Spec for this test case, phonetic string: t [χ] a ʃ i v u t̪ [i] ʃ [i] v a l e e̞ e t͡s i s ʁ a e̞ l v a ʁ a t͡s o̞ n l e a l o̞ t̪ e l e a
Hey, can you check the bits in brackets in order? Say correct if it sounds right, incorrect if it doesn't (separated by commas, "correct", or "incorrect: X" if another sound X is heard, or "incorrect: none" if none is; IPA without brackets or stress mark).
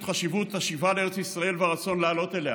correct, incorrect: a, correct